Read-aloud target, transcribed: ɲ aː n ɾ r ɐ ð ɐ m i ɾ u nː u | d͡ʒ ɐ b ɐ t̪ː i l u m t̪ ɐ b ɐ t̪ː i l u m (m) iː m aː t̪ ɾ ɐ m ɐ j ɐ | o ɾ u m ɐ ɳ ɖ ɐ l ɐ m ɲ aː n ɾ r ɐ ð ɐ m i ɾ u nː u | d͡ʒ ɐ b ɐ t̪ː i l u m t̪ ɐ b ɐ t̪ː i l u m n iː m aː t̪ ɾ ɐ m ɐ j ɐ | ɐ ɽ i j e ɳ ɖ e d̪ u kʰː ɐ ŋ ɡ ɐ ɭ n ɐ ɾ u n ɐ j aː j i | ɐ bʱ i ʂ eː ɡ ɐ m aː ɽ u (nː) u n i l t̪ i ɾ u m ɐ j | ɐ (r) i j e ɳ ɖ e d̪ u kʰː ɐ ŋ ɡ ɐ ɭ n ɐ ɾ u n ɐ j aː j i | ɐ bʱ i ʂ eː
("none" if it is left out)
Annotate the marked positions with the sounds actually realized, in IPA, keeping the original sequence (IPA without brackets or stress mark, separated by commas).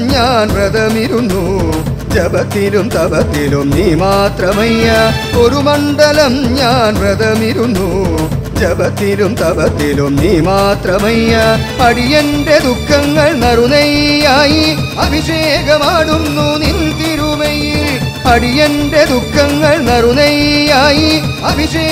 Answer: n, nː, ɽ